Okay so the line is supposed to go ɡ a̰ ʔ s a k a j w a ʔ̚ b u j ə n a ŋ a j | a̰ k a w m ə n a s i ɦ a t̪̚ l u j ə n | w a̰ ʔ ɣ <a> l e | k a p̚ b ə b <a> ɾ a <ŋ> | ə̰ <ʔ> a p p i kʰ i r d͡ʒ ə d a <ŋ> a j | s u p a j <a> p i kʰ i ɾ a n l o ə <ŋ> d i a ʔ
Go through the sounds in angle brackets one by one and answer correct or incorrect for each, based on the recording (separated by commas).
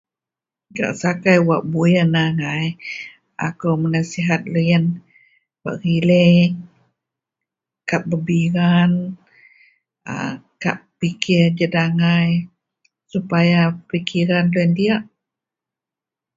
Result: incorrect, incorrect, incorrect, incorrect, correct, correct, incorrect